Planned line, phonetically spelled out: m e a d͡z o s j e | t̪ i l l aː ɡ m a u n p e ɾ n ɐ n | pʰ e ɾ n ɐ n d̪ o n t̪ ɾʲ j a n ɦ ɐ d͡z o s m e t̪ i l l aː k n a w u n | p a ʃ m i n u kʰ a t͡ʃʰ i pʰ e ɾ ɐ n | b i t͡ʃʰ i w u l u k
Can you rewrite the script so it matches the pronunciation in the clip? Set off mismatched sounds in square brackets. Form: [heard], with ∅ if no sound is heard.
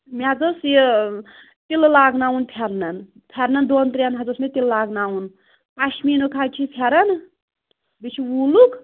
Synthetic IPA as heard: m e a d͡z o s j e | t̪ i l l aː ɡ [n] a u n [pʰ] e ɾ n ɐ n | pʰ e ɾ n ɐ n d̪ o n t̪ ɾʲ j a n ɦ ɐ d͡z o s m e t̪ i l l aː [ɡ] n a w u n | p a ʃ m i n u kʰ a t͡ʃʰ i pʰ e ɾ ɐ n | b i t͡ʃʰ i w u l u k